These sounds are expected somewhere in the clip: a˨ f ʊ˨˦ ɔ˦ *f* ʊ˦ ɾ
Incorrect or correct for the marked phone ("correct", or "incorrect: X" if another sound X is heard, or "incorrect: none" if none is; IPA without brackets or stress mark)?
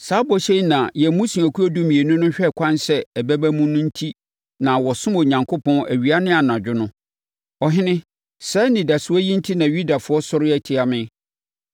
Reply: incorrect: s